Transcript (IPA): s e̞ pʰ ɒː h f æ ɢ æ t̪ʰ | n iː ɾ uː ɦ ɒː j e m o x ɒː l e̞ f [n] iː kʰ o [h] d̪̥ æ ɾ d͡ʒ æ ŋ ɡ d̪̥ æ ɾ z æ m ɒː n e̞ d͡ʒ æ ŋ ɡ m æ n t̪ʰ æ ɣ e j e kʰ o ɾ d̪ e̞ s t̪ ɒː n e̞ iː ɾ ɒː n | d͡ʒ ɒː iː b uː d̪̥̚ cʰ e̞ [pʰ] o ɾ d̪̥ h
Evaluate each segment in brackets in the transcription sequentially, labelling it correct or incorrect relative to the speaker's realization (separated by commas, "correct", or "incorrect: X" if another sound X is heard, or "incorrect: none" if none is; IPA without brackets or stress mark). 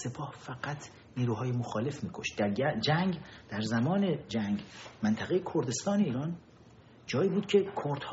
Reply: incorrect: m, incorrect: ʃ, incorrect: kʰ